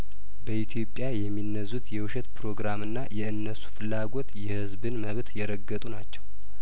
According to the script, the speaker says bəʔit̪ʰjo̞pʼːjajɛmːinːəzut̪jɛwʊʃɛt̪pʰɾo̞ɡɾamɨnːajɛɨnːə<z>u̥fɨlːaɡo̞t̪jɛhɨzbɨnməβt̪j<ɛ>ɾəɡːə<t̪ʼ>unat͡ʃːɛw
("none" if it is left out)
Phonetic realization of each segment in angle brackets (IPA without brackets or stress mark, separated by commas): s, ɛ, t̪ʼ